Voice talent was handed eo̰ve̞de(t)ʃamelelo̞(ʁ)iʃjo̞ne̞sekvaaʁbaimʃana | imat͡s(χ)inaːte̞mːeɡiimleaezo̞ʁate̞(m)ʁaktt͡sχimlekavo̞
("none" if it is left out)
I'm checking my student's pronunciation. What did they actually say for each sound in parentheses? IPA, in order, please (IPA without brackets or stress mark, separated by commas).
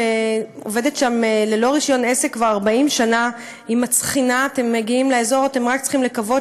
t, ʁ, χ, m